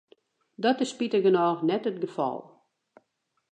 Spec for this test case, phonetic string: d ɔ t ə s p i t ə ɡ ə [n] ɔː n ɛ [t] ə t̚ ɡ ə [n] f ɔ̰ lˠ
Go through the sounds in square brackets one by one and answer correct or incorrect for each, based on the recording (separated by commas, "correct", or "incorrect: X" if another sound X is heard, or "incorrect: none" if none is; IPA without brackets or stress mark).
correct, correct, incorrect: none